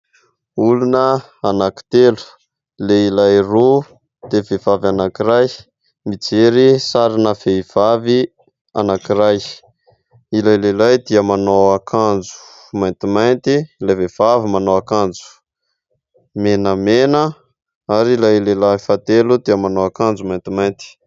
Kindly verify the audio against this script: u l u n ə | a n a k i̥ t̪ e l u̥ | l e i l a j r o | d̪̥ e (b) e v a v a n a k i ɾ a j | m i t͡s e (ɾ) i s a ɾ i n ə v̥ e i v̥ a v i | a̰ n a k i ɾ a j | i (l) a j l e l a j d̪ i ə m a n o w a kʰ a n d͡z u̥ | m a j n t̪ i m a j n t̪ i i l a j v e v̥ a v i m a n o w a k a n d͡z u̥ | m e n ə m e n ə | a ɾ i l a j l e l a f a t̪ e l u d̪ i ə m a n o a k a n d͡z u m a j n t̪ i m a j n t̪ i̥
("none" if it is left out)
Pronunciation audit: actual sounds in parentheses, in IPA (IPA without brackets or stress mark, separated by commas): v, ɾ, l